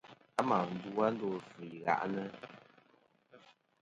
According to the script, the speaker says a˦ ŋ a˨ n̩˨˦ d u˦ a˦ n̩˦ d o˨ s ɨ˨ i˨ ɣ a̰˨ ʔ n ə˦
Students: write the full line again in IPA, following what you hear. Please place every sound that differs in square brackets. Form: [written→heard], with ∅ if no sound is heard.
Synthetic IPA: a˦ [ŋ→m] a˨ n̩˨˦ d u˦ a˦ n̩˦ d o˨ [s→f] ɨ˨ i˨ ɣ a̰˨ ʔ n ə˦